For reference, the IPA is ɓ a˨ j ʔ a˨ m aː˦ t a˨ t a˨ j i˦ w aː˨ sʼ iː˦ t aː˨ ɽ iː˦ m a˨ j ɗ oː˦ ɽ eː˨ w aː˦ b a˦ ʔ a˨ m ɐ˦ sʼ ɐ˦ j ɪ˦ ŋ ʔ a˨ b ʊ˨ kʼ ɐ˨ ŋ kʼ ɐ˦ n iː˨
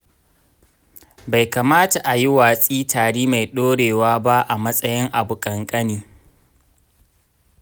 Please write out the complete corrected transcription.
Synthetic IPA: b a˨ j k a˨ m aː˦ t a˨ ʔ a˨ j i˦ w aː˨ sʼ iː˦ t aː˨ ɽ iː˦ m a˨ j ɗ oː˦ ɽ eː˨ w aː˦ b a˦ ʔ a˨ m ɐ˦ sʼ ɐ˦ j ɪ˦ ŋ ʔ a˨ b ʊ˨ kʼ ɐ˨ ŋ kʼ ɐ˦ n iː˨